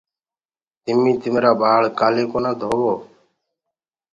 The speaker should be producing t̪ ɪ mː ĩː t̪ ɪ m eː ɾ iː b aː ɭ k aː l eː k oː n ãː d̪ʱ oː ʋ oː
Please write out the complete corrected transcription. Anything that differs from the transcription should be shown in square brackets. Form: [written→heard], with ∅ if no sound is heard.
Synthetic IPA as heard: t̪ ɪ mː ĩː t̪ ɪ m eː ɾ [iː→aː] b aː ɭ k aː l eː k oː n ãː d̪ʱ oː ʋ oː